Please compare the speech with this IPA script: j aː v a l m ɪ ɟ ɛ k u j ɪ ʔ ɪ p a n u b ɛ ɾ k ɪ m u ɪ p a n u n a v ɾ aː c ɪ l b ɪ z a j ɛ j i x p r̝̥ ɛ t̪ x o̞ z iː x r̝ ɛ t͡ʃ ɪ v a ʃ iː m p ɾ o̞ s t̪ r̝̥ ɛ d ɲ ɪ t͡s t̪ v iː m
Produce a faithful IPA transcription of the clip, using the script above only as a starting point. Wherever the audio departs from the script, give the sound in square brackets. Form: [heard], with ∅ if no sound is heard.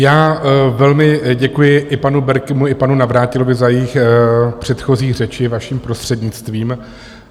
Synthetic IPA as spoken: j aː v [ɛ] l m ɪ ɟ ɛ k u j ɪ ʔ ɪ p a n u b ɛ ɾ k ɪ m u ɪ p a n u n a v ɾ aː c ɪ l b ɪ z a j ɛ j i x p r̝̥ ɛ t̪ x o̞ z iː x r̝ ɛ t͡ʃ ɪ v a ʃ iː m p ɾ o̞ s t̪ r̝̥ ɛ d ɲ ɪ t͡s t̪ v iː m